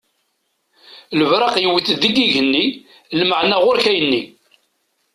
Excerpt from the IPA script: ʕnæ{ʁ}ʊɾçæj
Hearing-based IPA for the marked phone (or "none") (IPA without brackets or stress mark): ʁ